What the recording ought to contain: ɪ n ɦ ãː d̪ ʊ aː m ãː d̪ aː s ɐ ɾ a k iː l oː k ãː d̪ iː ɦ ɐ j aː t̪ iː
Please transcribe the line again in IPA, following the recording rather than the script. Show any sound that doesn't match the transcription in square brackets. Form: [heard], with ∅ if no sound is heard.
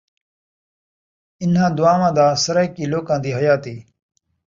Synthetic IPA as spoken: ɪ n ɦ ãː d̪ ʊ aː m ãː d̪ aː s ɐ ɾ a k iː l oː k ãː d̪ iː ɦ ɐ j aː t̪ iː